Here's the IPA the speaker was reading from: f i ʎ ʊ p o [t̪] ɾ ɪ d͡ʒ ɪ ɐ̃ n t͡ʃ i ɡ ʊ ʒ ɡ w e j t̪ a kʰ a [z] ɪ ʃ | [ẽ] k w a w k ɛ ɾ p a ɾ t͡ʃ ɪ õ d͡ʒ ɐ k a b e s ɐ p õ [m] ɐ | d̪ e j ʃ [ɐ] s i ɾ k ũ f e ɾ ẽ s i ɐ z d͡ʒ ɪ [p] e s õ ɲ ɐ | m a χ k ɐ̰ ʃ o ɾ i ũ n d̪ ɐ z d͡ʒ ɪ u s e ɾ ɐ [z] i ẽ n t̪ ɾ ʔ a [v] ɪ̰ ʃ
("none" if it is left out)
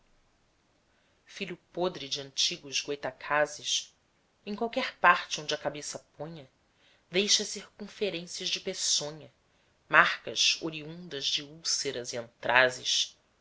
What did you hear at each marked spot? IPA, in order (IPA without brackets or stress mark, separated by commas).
d̪, z, ẽ, ɲ, ɐ, p, z, z